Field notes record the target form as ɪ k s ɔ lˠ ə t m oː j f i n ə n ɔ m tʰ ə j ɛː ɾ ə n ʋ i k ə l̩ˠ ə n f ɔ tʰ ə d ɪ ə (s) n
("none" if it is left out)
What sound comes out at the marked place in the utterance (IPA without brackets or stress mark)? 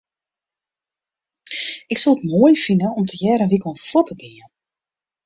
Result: none